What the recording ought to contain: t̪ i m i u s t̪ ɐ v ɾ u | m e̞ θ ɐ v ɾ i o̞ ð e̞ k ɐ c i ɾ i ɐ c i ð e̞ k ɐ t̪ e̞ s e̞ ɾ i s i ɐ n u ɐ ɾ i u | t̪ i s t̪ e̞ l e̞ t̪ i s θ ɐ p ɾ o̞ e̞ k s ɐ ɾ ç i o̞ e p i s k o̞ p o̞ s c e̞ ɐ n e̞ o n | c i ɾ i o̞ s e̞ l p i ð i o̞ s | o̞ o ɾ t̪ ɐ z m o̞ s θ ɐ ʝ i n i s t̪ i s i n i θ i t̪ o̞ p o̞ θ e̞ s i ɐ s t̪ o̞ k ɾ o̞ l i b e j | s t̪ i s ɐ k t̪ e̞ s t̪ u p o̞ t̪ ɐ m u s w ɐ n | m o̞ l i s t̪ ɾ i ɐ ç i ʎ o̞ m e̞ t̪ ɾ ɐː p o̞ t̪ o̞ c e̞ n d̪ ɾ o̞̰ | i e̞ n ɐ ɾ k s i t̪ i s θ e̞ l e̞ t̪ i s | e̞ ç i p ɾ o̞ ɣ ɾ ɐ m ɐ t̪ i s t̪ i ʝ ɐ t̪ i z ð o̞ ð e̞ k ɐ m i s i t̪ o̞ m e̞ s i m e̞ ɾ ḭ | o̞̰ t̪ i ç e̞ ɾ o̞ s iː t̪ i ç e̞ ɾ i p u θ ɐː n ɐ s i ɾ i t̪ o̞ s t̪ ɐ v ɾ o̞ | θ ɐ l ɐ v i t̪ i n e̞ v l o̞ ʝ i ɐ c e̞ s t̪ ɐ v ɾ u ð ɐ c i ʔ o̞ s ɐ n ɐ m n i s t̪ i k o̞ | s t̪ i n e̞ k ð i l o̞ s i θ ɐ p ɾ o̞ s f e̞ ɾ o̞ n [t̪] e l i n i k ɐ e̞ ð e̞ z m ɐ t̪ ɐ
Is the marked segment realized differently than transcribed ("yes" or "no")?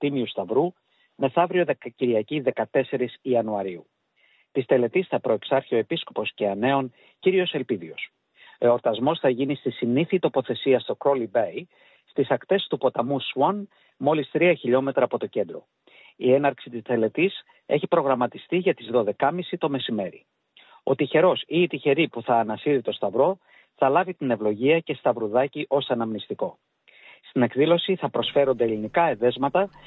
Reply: yes